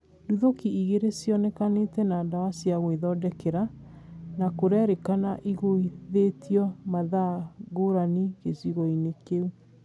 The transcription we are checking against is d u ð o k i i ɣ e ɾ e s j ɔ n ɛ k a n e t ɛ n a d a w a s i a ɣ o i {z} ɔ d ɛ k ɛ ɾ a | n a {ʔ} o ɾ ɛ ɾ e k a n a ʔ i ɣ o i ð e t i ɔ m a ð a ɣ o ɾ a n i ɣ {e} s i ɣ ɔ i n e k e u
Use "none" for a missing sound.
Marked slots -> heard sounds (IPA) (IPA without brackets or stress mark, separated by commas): ð, k, e